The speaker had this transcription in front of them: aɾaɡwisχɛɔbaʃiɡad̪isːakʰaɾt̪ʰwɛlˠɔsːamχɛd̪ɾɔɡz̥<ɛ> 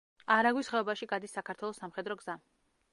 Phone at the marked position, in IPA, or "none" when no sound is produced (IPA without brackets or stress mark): a